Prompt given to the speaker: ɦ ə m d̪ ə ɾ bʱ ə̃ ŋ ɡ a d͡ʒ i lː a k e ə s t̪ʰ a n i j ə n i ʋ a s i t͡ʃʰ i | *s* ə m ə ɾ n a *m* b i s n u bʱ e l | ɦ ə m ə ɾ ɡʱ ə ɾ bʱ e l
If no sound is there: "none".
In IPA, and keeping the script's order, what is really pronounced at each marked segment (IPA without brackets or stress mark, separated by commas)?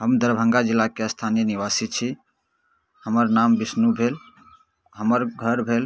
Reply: h, m